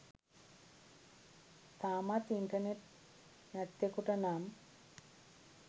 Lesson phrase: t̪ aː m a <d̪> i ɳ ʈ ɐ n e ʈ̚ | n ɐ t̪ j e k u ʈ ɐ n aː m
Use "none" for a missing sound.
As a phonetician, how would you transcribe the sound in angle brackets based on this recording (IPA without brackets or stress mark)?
t̪